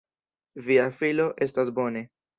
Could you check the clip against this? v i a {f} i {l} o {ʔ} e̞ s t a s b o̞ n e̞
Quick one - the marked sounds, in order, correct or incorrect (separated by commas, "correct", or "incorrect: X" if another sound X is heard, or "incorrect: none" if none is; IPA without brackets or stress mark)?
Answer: correct, correct, correct